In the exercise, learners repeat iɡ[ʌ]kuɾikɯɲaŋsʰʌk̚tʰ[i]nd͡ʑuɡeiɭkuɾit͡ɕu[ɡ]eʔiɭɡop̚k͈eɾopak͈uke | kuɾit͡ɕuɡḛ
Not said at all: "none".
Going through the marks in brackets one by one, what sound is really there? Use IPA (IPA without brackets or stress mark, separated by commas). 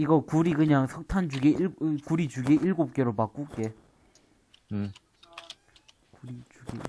ʌ, a, ɡ